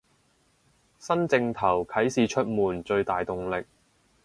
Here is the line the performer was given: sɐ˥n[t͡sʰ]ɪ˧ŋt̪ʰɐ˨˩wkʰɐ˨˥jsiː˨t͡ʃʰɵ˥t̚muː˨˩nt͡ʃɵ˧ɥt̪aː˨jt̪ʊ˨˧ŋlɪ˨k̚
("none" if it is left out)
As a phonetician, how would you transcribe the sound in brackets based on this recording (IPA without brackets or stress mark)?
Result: t͡s